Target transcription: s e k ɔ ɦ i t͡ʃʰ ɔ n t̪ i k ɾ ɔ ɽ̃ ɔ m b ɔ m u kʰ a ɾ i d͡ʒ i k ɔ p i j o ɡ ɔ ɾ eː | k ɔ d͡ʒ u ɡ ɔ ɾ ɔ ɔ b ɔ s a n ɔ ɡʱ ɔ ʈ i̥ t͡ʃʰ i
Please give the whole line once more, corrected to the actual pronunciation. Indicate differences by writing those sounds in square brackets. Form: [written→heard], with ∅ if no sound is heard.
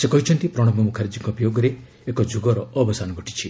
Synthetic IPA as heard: s e k ɔ ɦ i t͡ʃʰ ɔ n t̪ i [k→p] ɾ ɔ ɽ̃ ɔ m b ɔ m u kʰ a ɾ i d͡ʒ i k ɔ p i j o ɡ ɔ ɾ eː | k ɔ d͡ʒ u ɡ ɔ ɾ ɔ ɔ b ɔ s a n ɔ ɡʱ ɔ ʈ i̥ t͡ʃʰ i

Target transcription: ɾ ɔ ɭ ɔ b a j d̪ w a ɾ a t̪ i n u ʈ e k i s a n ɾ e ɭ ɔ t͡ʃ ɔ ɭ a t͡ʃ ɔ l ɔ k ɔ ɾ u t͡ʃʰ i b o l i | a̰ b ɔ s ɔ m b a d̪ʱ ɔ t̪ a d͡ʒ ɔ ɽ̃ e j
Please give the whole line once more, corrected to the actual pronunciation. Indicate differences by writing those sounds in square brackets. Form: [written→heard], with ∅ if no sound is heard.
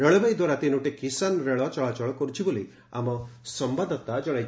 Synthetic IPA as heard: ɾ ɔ ɭ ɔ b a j d̪ w a ɾ a t̪ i n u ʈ e k i s a n ɾ e ɭ ɔ t͡ʃ ɔ ɭ a t͡ʃ ɔ [l→ɭ] ɔ k ɔ ɾ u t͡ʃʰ i b o l i | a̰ [b→m] ɔ s ɔ m b a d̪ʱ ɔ t̪ a d͡ʒ ɔ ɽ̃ [e→a] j

